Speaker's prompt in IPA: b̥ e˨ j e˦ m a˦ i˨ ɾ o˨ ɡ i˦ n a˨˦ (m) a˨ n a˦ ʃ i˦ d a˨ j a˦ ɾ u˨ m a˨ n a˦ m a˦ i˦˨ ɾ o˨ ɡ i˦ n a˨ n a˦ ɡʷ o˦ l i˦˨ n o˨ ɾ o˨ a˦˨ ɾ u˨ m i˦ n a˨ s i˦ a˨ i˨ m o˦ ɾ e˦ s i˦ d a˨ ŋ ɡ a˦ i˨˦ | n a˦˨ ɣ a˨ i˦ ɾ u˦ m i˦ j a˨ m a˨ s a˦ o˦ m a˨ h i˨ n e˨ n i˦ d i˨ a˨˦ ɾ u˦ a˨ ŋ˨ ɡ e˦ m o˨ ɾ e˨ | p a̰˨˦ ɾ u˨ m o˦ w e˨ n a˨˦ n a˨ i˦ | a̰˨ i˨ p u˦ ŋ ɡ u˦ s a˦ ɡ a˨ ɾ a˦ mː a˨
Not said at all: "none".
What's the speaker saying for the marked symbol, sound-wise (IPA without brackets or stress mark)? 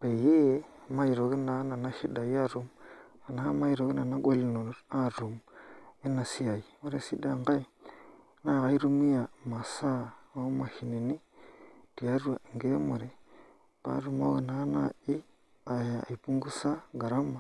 n